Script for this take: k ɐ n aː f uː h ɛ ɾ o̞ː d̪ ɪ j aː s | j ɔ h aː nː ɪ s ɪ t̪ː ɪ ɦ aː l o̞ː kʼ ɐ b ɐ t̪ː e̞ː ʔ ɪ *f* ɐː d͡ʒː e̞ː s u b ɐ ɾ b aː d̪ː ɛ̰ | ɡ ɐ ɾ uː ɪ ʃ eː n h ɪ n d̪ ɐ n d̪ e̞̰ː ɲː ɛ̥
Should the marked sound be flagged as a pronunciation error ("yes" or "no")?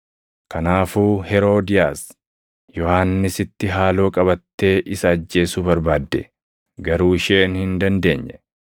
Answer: yes